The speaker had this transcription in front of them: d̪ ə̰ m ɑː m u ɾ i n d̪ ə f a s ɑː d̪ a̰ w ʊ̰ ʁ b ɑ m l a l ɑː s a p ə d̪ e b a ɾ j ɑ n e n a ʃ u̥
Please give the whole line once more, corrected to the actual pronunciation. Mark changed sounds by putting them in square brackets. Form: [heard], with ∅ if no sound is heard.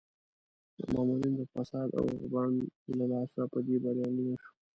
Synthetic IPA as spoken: d̪ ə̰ m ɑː m u ɾ i n d̪ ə f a s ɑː d̪ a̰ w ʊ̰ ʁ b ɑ [n] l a l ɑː s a p ə d̪ e b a ɾ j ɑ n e n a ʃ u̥